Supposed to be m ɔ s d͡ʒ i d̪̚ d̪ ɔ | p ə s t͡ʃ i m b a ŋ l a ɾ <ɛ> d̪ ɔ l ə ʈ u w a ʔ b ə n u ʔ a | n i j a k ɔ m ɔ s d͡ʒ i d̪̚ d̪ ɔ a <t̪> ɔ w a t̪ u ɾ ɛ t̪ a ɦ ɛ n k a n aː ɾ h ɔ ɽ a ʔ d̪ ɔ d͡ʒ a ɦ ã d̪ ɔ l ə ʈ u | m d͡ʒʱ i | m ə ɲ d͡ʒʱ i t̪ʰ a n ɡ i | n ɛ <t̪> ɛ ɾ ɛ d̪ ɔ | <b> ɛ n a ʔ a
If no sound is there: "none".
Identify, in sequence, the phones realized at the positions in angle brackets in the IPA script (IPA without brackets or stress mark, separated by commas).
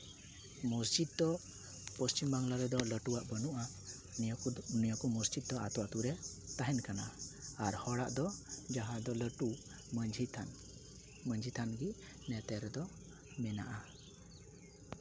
ɛ, t̪, t̪, m